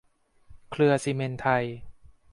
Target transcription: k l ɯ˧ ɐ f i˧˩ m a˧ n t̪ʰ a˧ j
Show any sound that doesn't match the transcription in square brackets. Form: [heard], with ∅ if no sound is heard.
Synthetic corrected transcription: [kʰ] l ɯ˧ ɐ [s] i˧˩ m [e˧] n t̪ʰ a˧ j